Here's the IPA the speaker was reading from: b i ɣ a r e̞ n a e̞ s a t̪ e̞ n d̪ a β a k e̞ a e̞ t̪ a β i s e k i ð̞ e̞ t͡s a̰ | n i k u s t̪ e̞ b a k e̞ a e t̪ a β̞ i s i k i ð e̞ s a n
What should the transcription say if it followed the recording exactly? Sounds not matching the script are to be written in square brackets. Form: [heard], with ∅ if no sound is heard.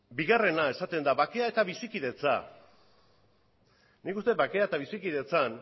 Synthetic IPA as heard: b i ɣ a r e̞ n a e̞ s a t̪ e̞ n d̪ a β a k e̞ a e̞ t̪ a β i s [i] k i ð̞ e̞ t͡s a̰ | n i k u s t̪ e̞ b a k e̞ a e t̪ a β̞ i s i k i ð e̞ [t͡s] a n